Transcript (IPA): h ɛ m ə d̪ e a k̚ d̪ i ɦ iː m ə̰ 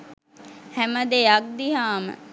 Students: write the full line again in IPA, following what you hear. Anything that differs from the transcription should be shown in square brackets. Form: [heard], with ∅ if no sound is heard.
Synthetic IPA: h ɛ m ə d̪ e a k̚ d̪ i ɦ [aː] m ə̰